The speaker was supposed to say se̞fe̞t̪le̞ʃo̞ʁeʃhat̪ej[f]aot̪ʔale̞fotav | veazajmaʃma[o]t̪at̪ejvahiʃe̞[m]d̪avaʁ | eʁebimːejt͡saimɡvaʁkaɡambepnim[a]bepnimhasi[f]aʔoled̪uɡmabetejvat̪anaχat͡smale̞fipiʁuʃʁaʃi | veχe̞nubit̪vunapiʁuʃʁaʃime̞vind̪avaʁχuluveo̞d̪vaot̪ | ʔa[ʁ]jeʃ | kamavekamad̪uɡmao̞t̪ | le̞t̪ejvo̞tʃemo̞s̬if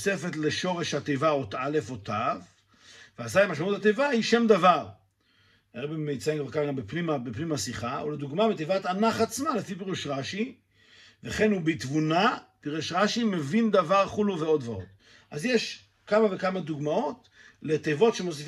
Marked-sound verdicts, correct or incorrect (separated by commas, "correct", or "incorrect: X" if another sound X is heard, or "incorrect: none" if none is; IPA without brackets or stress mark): incorrect: v, incorrect: u, correct, correct, incorrect: χ, incorrect: z